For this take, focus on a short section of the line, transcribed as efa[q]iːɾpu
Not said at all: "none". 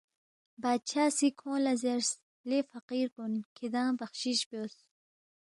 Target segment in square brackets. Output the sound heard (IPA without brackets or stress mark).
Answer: q